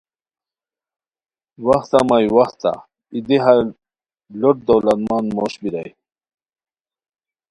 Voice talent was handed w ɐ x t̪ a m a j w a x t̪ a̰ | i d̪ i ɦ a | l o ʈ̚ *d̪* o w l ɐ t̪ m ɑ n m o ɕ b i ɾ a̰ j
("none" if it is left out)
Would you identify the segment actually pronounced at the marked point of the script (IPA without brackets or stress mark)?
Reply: d̪